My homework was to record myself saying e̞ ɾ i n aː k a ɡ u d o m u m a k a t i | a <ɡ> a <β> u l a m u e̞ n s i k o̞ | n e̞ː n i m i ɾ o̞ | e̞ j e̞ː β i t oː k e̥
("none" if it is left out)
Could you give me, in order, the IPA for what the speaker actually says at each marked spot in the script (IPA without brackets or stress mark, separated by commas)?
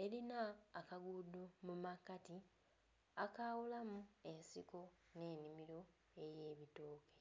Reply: k, w